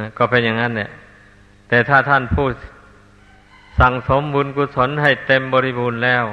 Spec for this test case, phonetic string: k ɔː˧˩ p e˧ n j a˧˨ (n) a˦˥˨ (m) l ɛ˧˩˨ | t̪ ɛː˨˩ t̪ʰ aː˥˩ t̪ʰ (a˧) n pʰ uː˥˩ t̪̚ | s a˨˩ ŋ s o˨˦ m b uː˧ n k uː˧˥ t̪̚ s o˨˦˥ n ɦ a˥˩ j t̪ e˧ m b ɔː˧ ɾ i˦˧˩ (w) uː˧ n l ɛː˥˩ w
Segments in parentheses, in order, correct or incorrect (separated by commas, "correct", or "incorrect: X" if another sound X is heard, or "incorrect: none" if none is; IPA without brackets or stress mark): incorrect: ŋ, incorrect: n, incorrect: a˥˩, incorrect: b